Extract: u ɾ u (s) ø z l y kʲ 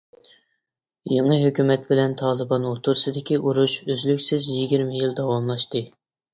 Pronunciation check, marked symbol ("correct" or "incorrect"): incorrect